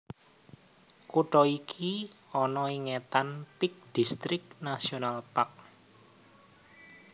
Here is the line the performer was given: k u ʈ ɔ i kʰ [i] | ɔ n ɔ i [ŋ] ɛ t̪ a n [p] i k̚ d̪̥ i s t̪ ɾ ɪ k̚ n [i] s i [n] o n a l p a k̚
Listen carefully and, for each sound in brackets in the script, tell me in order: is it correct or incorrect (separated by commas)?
correct, correct, correct, incorrect, incorrect